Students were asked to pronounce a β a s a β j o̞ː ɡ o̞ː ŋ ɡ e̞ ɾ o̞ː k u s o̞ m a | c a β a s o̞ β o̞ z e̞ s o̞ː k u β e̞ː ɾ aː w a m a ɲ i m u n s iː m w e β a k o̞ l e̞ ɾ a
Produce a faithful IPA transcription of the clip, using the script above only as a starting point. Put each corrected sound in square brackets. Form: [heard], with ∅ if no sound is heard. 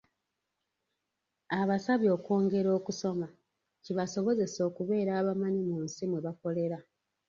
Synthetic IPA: a β a s a β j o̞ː [k] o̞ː ŋ ɡ e̞ ɾ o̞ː k u s o̞ m a | c [i] β a s o̞ β o̞ z e̞ s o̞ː k u β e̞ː ɾ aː [β] a m a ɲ i m u n s [i] m w e β a k o̞ l e̞ ɾ a

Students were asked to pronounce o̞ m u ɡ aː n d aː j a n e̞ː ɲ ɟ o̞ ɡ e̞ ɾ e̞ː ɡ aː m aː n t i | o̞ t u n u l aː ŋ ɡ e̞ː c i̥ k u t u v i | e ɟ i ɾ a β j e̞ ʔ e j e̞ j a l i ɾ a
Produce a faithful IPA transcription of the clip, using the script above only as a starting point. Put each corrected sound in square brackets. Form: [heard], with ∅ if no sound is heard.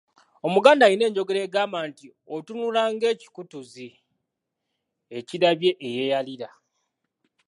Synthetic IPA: o̞ m u ɡ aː n d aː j [i] n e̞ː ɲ ɟ o̞ ɡ e̞ ɾ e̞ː ɡ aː m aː n t i | o̞ t u n u l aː ŋ ɡ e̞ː c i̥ k u t u [z] i | e [c] i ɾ a β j e̞ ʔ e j e̞ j a l i ɾ a

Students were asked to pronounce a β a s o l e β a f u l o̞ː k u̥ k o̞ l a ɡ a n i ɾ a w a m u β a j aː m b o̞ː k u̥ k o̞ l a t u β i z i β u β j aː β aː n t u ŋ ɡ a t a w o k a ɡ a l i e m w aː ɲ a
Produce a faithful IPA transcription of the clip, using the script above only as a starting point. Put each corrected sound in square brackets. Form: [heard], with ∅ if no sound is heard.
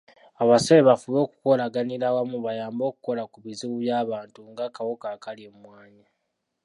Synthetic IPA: a β a s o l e β a f u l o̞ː k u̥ k o̞ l a ɡ a n i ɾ a w a m u β a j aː m b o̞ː k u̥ k o̞ l a [k] u β i z i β u β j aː β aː n t u ŋ ɡ a [k] a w o k a [k] a l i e m w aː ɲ a

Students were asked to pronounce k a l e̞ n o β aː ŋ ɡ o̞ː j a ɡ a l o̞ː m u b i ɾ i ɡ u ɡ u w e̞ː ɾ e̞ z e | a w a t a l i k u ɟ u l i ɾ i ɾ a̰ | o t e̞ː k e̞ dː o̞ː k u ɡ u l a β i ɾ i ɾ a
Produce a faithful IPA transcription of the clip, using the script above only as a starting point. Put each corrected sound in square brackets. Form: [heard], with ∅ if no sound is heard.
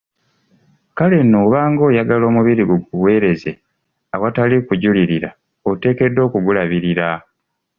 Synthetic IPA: k a l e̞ n o β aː ŋ ɡ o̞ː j a ɡ a l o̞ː m u [β] i ɾ i ɡ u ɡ u w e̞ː ɾ e̞ z e | a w a t a l i k u ɟ u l i ɾ i ɾ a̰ | o t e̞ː k e̞ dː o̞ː k u ɡ u l a β i ɾ i ɾ a

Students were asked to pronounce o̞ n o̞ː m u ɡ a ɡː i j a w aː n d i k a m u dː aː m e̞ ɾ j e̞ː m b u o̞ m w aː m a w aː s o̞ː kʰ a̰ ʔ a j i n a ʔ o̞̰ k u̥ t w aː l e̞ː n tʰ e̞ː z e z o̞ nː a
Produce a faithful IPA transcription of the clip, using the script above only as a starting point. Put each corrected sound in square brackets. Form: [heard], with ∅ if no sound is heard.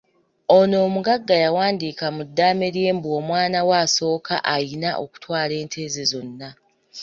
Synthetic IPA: o̞ n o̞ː m u ɡ a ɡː [a] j a w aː n d i k a m u dː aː m e̞ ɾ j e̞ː m b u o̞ m w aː [n] a w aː s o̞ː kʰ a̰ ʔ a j i n a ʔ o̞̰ k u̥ t w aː l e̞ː n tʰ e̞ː z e z o̞ nː a

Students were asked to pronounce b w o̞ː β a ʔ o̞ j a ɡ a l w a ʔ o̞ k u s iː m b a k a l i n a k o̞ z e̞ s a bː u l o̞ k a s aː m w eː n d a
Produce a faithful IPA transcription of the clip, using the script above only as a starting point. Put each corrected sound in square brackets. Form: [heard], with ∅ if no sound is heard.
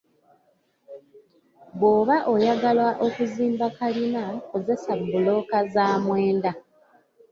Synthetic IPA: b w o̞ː β a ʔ o̞ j a ɡ a l w a ʔ o̞ k u [z] iː m b a k a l i n a k o̞ z e̞ s a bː u l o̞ k a [z] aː m w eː n d a

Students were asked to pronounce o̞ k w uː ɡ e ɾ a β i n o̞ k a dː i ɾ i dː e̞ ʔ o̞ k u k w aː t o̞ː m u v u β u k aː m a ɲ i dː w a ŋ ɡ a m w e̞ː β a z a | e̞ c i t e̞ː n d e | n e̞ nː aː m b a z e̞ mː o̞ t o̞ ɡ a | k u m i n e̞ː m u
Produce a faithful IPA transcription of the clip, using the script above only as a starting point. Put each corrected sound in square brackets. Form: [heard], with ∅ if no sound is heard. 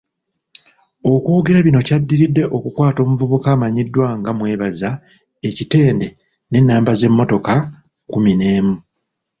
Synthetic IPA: o̞ k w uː ɡ e ɾ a β i n o̞ [c] a dː i ɾ i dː e̞ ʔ o̞ k u k w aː t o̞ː m u v u β u k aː m a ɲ i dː w a ŋ ɡ a m w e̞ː β a z a | e̞ c i t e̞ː n d e | n e̞ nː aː m b a z e̞ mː o̞ t o̞ [k] a | k u m i n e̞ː m u

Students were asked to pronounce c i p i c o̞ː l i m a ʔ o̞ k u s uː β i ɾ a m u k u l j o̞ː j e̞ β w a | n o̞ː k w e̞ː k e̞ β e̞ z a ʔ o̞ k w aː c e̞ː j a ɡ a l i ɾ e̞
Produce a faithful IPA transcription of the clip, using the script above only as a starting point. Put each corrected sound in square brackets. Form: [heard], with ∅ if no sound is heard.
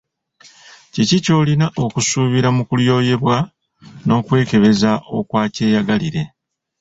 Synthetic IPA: c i [c] i c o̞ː l i [n] a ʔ o̞ k u s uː β i ɾ a m u k u l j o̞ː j e̞ β w a | n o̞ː k w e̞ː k e̞ β e̞ z a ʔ o̞ k w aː c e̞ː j a ɡ a l i ɾ e̞

